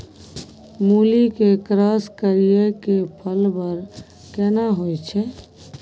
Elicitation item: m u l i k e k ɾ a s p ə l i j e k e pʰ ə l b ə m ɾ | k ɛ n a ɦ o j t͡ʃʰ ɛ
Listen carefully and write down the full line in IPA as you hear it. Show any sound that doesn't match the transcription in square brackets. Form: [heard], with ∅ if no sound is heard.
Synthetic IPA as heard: m u l i k e k ɾ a s [k] ə [ɾ] i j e k e pʰ ə l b ə [∅] ɾ | k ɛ n a ɦ o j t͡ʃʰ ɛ